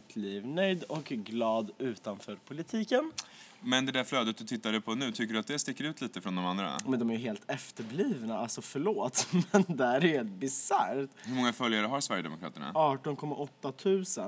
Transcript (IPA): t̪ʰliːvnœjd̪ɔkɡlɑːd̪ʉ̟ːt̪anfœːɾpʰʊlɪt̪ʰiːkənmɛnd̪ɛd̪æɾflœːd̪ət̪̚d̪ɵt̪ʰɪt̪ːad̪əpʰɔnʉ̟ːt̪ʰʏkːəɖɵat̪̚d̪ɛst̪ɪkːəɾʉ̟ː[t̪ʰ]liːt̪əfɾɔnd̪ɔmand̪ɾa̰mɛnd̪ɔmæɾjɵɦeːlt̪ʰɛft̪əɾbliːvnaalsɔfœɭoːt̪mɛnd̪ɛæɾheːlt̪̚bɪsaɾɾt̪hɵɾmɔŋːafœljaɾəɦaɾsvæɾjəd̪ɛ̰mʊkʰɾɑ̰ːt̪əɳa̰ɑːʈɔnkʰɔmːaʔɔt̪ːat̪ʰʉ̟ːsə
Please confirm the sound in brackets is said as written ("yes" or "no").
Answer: no